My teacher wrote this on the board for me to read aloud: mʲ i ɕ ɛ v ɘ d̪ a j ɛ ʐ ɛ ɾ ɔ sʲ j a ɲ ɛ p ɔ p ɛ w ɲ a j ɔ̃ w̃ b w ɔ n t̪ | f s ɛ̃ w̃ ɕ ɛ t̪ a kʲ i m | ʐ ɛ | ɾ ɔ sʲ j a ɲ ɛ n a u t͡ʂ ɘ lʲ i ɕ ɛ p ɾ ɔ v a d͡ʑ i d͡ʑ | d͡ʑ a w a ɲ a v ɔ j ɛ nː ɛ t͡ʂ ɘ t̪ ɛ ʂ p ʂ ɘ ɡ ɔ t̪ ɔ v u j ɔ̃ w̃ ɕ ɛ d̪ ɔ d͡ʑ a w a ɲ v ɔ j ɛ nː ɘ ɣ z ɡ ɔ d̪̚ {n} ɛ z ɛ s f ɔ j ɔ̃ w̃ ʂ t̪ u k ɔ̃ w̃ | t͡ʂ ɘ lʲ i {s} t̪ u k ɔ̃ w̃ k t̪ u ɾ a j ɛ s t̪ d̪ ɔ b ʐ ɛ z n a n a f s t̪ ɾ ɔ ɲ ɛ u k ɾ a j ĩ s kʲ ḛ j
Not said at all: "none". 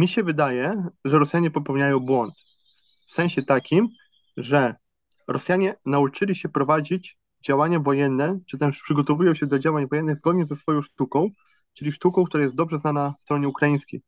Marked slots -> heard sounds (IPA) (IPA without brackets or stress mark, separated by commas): ɲ, ʂ